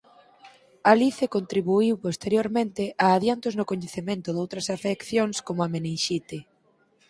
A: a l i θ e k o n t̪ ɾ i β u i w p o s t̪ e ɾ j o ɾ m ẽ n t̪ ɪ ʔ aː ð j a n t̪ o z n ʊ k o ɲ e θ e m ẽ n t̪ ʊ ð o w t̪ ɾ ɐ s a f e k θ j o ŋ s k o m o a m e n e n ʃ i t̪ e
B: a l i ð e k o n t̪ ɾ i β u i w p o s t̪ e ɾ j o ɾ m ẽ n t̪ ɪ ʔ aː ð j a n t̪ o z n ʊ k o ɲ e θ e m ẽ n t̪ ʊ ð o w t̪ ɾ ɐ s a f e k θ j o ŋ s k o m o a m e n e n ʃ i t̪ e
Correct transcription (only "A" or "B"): A